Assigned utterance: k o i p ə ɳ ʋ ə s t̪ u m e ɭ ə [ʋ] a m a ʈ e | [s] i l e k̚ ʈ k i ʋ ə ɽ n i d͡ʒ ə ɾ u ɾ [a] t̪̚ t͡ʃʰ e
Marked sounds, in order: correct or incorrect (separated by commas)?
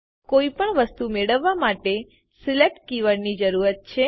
incorrect, correct, incorrect